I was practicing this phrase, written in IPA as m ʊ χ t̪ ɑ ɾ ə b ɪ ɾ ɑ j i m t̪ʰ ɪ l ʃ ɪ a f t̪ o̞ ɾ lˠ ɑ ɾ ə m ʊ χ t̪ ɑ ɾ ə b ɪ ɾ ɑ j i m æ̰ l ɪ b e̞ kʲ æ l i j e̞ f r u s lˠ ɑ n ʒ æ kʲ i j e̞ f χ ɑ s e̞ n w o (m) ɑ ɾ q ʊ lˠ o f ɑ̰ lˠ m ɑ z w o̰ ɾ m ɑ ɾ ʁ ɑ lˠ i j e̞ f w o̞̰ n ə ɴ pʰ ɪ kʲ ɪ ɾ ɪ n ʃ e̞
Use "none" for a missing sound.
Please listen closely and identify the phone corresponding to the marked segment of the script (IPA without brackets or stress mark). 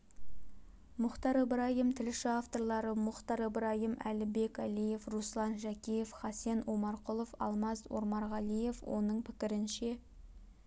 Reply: m